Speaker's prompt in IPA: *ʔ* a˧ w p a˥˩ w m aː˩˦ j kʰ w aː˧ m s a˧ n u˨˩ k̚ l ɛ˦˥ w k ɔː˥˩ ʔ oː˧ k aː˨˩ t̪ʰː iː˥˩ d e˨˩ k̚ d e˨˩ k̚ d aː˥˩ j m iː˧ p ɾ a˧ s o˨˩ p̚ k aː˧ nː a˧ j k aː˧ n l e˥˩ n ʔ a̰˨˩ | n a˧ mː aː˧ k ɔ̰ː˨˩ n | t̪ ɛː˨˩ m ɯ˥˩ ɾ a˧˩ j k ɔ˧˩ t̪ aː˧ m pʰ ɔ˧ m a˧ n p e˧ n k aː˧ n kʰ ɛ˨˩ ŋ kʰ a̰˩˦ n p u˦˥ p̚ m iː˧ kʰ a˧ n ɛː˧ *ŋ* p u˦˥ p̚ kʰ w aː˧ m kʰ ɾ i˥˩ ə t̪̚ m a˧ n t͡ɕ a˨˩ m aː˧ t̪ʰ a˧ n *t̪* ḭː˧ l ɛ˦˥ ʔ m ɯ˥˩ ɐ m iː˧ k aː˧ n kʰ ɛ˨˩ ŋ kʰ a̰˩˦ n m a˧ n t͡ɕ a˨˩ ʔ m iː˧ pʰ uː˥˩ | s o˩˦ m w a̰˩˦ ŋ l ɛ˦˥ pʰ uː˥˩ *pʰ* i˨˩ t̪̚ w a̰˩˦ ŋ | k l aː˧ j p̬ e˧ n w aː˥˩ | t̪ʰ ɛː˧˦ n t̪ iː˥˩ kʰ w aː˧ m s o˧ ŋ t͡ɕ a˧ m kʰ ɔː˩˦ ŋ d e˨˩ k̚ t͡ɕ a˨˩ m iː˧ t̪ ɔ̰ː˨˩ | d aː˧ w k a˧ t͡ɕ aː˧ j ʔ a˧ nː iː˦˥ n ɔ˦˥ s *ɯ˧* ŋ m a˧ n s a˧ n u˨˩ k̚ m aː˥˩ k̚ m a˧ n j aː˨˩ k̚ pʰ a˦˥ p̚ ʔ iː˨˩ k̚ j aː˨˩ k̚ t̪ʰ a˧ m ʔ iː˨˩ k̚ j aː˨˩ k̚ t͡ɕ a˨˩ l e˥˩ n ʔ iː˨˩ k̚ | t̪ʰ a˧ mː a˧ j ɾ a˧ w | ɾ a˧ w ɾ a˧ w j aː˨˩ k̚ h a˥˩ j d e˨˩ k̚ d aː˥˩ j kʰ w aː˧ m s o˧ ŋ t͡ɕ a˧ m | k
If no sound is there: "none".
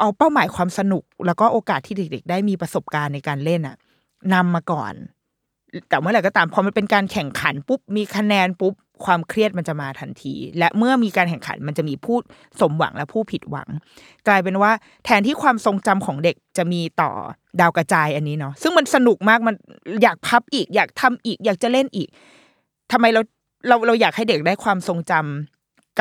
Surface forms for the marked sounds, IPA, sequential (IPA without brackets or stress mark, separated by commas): ʔ, n, t̪ʰ, pʰ, ɯ˥˩